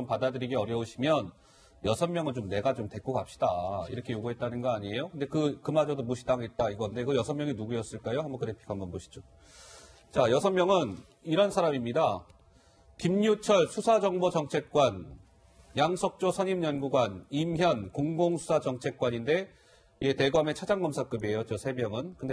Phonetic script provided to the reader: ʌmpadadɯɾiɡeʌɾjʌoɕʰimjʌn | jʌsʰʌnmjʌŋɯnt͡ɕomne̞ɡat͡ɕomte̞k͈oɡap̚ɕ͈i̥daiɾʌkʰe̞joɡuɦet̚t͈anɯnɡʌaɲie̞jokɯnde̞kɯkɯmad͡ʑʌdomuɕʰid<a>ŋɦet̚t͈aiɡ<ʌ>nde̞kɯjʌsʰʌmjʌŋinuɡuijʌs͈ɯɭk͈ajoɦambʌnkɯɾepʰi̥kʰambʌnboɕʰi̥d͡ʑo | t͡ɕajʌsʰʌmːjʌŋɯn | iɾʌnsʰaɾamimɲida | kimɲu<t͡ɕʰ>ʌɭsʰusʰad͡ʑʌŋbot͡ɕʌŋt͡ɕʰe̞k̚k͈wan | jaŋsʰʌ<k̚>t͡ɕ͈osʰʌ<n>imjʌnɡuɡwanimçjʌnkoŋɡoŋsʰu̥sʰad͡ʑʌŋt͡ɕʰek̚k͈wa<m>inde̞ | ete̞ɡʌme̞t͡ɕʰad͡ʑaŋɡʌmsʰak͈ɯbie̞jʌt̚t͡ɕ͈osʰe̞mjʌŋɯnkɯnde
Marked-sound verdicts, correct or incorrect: correct, correct, correct, correct, incorrect, incorrect

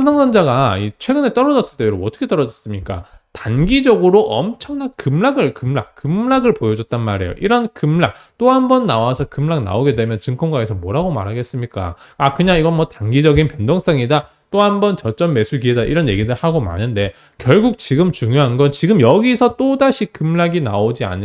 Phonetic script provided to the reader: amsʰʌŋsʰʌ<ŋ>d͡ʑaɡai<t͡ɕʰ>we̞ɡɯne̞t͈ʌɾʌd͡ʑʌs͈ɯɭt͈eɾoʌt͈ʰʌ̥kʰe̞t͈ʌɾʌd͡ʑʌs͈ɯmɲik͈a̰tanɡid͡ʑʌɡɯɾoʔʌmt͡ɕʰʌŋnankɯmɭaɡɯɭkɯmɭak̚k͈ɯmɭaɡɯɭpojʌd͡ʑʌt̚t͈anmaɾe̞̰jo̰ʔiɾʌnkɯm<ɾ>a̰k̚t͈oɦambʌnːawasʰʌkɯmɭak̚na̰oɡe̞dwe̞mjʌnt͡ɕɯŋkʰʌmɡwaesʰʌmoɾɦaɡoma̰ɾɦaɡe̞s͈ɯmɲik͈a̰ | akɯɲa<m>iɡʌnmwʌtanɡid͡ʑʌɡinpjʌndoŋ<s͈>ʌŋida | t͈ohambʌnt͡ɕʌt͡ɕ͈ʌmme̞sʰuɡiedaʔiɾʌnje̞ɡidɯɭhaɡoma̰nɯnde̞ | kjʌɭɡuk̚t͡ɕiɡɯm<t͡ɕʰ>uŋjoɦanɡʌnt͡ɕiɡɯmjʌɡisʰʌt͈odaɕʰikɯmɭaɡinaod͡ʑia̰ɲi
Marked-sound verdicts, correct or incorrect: incorrect, correct, incorrect, incorrect, correct, incorrect

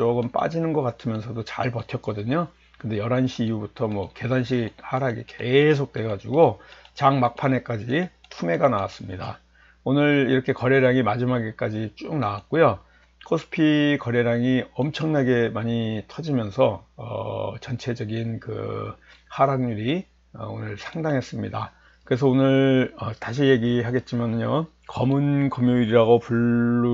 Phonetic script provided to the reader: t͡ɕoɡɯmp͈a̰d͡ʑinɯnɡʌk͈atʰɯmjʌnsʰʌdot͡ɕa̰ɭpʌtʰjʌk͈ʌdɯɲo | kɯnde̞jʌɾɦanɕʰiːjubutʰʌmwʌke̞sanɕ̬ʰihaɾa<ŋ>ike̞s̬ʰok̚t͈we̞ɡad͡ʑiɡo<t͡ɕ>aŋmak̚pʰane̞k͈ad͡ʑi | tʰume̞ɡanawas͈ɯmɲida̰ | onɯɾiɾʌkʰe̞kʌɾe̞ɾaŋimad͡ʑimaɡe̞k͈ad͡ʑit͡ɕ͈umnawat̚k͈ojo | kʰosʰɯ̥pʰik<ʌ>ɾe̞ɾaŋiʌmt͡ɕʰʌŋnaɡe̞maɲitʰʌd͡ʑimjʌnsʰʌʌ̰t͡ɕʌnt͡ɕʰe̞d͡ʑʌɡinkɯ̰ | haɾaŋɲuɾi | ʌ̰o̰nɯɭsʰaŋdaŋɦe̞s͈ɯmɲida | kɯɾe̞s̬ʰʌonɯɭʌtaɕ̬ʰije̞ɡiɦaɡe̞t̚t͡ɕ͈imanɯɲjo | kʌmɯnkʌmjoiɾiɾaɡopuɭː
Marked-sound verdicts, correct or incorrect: incorrect, correct, correct

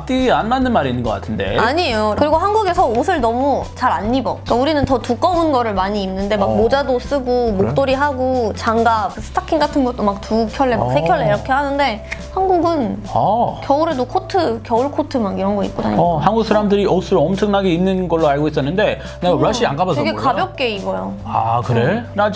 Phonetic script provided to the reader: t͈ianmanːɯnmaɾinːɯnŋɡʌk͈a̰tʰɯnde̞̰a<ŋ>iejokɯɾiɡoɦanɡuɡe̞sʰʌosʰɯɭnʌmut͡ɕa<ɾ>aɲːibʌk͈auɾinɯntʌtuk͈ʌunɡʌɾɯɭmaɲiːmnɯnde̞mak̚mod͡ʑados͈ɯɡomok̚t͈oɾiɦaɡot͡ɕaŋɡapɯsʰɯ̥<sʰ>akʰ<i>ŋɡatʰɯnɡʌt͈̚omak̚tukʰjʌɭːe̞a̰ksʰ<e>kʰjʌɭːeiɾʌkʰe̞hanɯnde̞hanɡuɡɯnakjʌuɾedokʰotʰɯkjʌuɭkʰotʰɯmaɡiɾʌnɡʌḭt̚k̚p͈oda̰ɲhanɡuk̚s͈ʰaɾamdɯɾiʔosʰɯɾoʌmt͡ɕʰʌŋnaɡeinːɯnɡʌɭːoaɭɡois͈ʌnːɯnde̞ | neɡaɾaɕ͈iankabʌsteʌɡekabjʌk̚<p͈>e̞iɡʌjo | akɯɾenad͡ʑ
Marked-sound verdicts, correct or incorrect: incorrect, correct, incorrect, correct, correct, incorrect

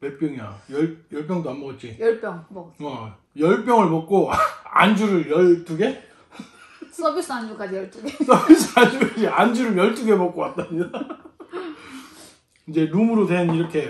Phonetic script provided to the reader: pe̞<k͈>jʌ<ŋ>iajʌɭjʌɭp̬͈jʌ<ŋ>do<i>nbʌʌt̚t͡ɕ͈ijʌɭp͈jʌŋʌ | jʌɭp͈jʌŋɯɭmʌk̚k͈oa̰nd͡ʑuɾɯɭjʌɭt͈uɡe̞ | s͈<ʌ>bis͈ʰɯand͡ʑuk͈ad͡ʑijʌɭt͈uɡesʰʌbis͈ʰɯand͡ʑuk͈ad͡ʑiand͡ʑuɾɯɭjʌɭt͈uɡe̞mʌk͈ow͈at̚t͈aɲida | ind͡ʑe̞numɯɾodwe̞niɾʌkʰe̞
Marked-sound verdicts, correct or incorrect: incorrect, correct, correct, incorrect, correct

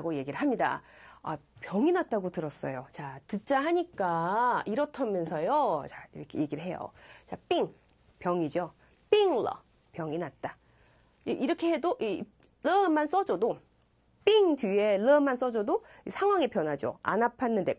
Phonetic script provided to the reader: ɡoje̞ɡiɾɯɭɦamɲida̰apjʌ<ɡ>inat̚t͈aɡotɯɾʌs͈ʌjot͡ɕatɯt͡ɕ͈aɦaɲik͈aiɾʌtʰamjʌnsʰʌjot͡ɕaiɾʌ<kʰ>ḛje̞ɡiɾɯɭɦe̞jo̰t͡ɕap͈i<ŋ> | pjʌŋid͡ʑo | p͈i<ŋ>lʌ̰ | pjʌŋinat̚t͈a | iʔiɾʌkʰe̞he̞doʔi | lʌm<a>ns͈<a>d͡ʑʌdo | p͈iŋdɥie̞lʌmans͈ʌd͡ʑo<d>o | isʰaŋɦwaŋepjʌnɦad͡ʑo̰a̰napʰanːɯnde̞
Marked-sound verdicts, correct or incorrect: incorrect, correct, correct, correct, correct, incorrect, correct

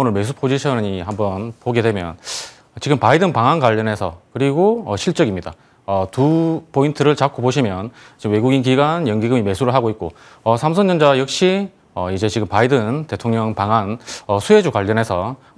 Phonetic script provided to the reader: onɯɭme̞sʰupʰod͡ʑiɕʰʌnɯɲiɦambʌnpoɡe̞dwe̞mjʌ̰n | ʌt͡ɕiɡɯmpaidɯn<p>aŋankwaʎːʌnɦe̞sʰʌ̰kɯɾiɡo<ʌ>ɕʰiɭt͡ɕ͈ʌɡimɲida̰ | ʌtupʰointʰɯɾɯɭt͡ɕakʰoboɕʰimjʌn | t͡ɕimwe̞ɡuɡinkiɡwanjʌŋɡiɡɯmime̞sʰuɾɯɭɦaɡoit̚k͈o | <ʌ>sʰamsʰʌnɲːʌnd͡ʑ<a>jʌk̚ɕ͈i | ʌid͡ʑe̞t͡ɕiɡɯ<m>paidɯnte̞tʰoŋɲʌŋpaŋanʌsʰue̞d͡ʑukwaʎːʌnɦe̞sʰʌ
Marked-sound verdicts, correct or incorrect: correct, correct, correct, correct, correct

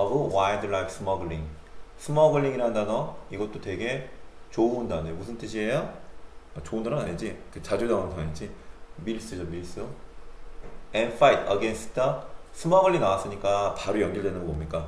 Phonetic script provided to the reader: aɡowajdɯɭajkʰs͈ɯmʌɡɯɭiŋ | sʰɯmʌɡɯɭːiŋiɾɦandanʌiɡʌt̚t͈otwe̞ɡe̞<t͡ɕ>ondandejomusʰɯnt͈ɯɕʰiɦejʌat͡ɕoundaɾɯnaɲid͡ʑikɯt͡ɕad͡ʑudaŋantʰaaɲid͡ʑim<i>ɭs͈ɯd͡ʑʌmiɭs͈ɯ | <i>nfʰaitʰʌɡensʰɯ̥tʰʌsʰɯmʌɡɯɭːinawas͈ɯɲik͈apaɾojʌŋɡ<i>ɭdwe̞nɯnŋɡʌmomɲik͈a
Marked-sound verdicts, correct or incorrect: correct, correct, incorrect, correct

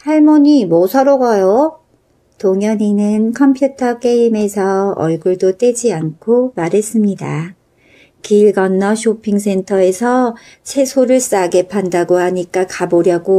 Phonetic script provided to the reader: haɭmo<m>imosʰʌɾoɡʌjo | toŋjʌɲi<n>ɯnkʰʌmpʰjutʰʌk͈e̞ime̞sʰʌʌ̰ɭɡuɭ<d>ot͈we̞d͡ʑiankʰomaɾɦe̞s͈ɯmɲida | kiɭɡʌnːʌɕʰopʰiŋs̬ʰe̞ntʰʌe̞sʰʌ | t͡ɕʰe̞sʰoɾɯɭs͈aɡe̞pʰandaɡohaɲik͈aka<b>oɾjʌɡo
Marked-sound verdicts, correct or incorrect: incorrect, correct, correct, correct

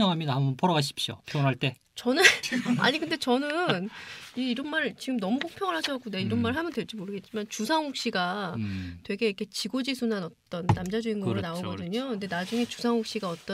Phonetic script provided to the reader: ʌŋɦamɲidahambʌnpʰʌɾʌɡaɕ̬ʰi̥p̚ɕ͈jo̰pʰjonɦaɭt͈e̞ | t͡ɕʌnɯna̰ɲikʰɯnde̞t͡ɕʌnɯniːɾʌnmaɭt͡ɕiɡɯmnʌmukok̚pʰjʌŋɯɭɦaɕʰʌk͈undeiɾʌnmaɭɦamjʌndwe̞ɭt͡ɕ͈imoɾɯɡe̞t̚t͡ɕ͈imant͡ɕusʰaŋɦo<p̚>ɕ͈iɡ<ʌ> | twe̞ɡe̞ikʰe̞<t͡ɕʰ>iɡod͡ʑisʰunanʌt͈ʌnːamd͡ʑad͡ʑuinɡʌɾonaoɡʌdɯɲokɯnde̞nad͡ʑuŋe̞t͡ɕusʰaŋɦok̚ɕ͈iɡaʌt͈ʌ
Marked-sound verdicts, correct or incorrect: incorrect, incorrect, incorrect

